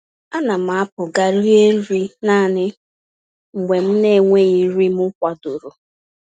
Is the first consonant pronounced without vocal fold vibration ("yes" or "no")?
no